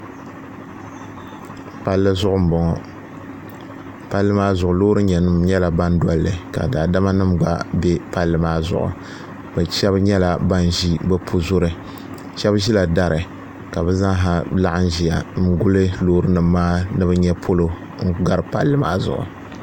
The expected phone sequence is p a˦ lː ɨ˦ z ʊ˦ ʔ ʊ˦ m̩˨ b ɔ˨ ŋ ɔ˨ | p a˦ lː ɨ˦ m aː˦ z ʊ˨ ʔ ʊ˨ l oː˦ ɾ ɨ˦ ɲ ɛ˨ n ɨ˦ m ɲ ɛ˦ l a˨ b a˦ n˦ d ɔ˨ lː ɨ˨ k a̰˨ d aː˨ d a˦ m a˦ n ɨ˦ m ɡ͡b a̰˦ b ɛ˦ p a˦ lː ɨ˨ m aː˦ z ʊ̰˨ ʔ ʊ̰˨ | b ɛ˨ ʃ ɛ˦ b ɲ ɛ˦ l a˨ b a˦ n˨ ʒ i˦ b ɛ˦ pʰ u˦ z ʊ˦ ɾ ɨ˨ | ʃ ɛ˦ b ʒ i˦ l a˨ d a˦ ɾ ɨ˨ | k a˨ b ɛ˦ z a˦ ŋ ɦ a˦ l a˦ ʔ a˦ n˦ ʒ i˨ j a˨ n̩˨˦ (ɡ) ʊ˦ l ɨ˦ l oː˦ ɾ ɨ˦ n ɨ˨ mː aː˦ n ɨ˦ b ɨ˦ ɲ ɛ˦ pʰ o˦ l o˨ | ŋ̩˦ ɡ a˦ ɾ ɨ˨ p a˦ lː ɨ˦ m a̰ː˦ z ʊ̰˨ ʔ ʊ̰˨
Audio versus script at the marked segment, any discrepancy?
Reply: no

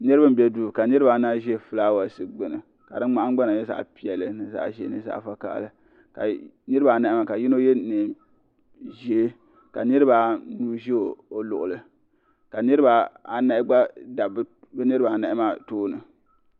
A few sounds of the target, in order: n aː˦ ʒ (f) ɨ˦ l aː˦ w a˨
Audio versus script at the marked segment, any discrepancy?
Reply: no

